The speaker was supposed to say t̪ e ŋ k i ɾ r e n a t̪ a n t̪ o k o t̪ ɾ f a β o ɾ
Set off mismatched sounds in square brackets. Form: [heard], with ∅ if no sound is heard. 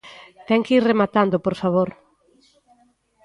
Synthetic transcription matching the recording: t̪ [ɛ] ŋ k i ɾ r e [m] a t̪ a n [d̪] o [p] o [∅] ɾ f a β o ɾ

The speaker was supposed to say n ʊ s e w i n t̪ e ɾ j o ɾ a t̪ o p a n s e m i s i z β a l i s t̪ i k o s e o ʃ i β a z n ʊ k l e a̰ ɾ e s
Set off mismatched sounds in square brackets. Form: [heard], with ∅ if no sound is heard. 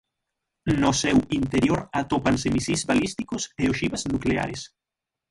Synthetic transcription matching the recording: n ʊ s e w i n t̪ e ɾ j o ɾ a t̪ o p a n s e m i s i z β a l i s t̪ i k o s e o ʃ i β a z n [u] k l e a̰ ɾ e s

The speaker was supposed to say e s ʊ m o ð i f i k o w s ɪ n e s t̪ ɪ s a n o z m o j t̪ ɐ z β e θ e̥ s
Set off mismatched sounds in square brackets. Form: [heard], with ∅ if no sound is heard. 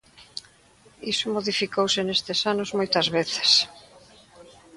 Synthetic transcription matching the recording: [i] s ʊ m o ð i f i k o w s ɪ n e s t̪ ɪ s a n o z m o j t̪ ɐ z β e θ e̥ s

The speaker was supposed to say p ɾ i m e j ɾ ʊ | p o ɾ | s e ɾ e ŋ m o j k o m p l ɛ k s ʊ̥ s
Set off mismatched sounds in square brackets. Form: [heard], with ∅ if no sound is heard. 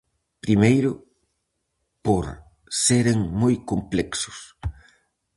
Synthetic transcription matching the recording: p ɾ i m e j ɾ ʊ | p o ɾ | s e ɾ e ŋ m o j k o m p l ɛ k s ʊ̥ s

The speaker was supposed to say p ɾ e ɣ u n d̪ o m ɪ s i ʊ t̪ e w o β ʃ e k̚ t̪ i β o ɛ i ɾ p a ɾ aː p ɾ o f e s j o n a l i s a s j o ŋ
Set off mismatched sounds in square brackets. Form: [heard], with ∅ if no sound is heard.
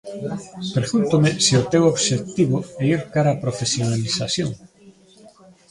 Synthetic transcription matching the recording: p ɾ e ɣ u n [t̪] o m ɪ s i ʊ t̪ e w o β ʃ e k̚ t̪ i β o ɛ i ɾ [k] a ɾ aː p ɾ o f e s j o n a l i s a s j o ŋ

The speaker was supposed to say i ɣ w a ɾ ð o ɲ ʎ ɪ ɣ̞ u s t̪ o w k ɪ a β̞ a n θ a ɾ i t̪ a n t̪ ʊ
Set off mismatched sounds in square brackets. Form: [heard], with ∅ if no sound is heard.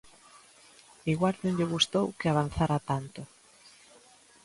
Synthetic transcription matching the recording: i ɣ w a ɾ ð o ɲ ʎ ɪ ɣ̞ u s t̪ o w k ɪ a β̞ a n θ a ɾ [a] t̪ a n t̪ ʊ

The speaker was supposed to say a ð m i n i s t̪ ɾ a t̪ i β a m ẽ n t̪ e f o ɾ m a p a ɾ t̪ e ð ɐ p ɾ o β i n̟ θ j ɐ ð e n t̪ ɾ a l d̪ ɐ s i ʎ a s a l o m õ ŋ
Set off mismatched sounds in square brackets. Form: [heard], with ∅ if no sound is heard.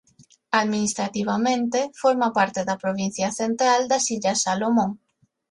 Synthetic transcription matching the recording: a ð m i n i s t̪ ɾ a t̪ i β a m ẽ n t̪ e f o ɾ m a p a ɾ t̪ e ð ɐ p ɾ o β i n̟ θ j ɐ [θ] e n t̪ ɾ a l d̪ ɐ s i ʎ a s a l o m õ ŋ

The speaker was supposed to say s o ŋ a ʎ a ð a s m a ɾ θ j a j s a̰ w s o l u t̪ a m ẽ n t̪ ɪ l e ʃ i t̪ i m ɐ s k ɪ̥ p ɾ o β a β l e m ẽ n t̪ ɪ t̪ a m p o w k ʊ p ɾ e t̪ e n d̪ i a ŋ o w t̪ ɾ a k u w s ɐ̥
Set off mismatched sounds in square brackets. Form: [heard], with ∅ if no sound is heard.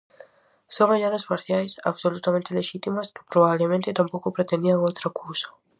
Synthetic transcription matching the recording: s o ŋ a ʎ a ð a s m a ɾ θ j a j s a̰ [β] s o l u t̪ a m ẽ n t̪ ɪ l e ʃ i t̪ i m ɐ s k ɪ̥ p ɾ o β a β l e m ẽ n t̪ ɪ t̪ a m p o w k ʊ p ɾ e t̪ e n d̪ i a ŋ o w t̪ ɾ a k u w s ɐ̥

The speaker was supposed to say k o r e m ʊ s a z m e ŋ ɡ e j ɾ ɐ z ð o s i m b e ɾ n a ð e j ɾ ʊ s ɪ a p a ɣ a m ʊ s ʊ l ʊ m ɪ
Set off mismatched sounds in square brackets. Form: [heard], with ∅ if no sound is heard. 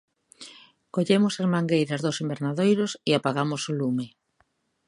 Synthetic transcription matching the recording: k o [ʎ] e m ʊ s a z m [a] ŋ ɡ e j ɾ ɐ z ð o s i m b e ɾ n a ð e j ɾ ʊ s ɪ a p a ɣ a m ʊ s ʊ l [u] m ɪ

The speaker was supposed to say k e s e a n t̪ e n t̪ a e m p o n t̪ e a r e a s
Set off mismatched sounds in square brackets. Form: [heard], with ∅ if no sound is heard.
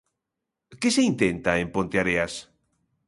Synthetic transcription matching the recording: k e s e [i] n t̪ e n t̪ a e m p o n t̪ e a [ɾ] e a s

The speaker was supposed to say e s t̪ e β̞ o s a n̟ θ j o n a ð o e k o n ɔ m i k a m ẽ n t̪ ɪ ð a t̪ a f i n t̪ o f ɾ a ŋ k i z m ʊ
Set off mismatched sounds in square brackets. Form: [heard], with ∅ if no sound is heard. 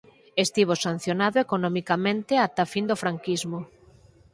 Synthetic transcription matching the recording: e s t̪ [i] β̞ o s a n̟ θ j o n a ð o e k o n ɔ m i k a m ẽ n t̪ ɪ [∅] a t̪ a f i n [d̪] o f ɾ a ŋ k i z m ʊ

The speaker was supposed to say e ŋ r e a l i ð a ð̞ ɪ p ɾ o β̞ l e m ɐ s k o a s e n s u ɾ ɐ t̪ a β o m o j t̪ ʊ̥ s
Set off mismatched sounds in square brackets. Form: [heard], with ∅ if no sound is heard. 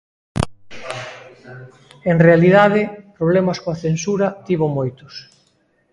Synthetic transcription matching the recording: e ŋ r e a l i ð a ð̞ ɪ p ɾ o β̞ l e m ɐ s k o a [θ] e n s u ɾ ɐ t̪ [i] β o m o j t̪ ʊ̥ s

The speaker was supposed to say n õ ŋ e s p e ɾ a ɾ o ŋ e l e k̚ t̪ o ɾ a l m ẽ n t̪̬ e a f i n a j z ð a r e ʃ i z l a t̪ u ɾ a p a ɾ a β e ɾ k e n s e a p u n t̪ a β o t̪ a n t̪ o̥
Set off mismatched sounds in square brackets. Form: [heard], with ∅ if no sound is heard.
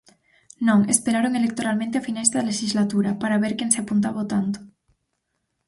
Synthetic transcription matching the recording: n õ ŋ e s p e ɾ a ɾ o ŋ e l e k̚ t̪ o ɾ a l m ẽ n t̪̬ e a f i n a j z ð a [l] e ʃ i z l a t̪ u ɾ a p a ɾ a β e ɾ k e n s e a p u n t̪ a β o t̪ a n t̪ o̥

